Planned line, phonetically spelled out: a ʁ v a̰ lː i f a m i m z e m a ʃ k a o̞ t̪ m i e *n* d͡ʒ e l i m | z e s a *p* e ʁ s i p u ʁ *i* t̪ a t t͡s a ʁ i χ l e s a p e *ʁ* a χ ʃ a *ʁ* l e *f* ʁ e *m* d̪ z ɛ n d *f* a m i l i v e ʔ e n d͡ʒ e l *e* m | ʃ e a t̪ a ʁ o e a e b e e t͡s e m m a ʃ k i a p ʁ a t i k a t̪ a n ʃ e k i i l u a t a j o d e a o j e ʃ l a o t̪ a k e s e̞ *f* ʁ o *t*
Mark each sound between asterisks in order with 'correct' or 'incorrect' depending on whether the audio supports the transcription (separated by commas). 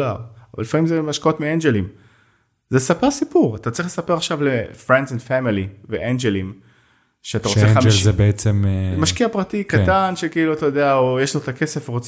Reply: correct, correct, incorrect, correct, incorrect, correct, incorrect, correct, incorrect, correct, incorrect